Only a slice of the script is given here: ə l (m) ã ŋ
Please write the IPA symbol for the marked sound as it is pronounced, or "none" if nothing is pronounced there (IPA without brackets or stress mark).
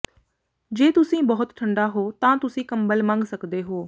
m